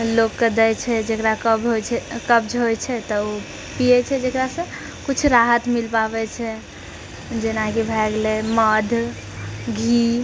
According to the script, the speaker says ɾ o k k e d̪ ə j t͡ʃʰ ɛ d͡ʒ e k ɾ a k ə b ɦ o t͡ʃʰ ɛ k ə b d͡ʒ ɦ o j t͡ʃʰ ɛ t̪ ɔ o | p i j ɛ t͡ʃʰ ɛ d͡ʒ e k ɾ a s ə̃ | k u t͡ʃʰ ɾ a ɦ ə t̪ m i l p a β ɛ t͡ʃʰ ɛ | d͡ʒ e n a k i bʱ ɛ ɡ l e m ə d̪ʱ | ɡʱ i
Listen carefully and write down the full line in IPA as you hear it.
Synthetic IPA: l o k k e d̪ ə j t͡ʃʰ ɛ d͡ʒ e k ɾ a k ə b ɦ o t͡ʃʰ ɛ k ə b d͡ʒ ɦ o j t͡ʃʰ ɛ t̪ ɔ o | p i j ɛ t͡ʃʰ ɛ d͡ʒ e k ɾ a s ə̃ | k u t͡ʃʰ ɾ a ɦ ə t̪ m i l p a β ɛ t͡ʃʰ ɛ | d͡ʒ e n a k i bʱ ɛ ɡ l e m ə d̪ʱ | ɡʱ i